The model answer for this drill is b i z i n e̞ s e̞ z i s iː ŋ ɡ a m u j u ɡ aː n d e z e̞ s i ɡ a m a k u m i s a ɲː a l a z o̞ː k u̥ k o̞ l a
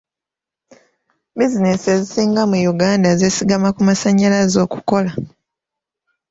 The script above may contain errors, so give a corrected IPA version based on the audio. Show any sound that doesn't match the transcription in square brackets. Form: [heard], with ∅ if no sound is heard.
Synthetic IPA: b i z i n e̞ s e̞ z i s iː ŋ ɡ a m u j u ɡ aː n d [a] z e̞ s i ɡ a m a k u m [a] s a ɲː a l a z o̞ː k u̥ k o̞ l a